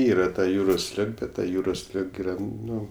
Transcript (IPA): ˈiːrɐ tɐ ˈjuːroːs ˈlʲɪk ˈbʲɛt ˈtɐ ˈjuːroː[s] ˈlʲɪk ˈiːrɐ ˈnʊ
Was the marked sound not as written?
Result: no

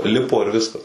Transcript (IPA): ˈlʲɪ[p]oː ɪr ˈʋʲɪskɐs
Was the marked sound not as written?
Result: no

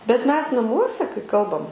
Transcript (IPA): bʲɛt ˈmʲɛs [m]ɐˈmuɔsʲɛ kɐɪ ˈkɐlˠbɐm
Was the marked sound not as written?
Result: yes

